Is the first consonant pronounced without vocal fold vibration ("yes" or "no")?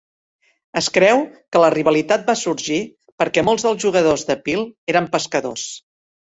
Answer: yes